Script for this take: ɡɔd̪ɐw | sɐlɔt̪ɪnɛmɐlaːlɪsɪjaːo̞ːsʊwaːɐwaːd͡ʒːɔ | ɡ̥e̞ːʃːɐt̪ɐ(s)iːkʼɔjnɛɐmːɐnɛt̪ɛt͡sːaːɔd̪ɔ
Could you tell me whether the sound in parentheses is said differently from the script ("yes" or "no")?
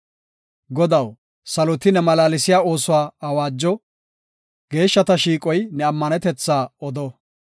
yes